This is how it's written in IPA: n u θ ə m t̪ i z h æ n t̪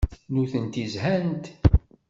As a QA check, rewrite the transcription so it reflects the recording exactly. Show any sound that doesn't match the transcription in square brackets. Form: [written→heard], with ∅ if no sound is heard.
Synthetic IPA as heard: n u θ ə [m→n] t̪ i z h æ n t̪